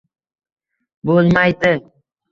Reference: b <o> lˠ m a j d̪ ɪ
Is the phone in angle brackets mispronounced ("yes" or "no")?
no